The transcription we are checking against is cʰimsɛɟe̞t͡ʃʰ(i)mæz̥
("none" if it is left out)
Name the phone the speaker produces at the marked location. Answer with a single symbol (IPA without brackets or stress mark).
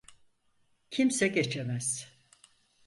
e